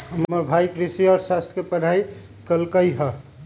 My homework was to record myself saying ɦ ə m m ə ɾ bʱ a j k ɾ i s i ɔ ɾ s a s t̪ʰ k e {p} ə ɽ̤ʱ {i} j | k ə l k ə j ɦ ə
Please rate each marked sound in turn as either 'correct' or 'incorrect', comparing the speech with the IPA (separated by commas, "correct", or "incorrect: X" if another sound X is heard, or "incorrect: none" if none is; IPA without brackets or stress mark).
correct, incorrect: a